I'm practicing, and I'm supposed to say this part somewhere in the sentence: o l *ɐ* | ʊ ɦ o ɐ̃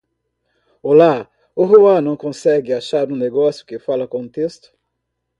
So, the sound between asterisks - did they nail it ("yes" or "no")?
no